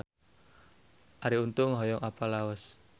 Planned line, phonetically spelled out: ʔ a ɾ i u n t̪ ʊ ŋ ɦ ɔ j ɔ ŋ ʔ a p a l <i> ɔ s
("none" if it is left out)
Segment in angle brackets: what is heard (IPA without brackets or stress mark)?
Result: a